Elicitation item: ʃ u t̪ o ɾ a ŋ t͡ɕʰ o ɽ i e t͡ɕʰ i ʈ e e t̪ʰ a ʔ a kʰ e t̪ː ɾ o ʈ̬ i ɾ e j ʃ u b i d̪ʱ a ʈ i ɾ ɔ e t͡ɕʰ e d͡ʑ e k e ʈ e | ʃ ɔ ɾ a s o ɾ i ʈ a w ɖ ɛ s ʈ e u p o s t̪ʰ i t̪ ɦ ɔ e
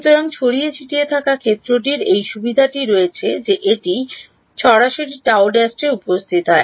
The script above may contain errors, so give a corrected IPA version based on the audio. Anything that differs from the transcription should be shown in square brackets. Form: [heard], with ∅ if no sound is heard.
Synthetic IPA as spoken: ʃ u t̪ o ɾ a ŋ t͡ɕʰ o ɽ i e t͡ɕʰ i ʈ [i] e t̪ʰ a [k] a kʰ e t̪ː ɾ o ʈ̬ i ɾ e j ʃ u b i d̪ʱ a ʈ i ɾ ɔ e t͡ɕʰ e d͡ʑ e [ʔ] e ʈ [i] | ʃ ɔ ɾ a [ʃ] o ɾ i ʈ a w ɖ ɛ s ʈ e u p o s t̪ʰ i t̪ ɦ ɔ e